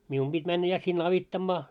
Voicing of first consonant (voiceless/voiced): voiced